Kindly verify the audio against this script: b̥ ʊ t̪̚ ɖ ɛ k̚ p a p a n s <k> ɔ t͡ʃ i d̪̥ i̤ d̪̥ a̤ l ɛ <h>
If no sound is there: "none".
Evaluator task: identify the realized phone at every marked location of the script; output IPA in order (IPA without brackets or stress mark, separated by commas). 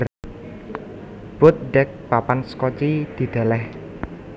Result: k, h